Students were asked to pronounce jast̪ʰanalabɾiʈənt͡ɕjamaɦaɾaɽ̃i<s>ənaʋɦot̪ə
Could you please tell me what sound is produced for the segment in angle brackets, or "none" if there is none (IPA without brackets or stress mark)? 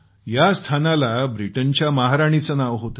t͡s